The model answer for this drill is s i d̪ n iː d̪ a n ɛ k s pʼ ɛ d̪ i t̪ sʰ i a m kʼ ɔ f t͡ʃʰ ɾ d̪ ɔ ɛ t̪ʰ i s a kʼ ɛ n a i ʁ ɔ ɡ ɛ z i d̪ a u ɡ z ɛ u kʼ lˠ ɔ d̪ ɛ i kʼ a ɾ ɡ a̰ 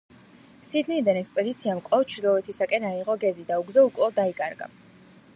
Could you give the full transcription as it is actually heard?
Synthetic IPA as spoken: s i d̪ n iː d̪ a n ɛ k s pʼ ɛ d̪ i t̪ sʰ i a m kʼ ɔ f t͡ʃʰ ɾ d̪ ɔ ɛ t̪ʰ i s a kʼ ɛ n a i ʁ ɔ ɡ ɛ z i d̪ a u ɡ z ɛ u kʼ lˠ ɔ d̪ a i kʼ a ɾ ɡ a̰